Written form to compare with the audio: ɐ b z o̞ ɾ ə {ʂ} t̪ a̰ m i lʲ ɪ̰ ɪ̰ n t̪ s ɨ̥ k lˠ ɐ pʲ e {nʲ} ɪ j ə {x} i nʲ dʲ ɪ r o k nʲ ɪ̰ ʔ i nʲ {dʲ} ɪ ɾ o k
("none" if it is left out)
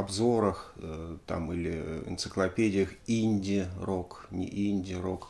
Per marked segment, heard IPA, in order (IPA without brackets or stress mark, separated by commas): x, dʲ, x, dʲ